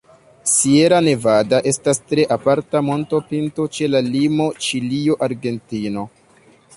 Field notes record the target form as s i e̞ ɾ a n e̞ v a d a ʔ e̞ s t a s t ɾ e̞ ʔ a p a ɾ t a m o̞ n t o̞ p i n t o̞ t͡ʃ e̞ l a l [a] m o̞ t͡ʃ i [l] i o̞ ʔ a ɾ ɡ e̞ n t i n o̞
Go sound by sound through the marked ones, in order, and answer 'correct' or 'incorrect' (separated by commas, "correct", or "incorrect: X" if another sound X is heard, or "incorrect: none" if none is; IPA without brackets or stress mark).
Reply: incorrect: i, correct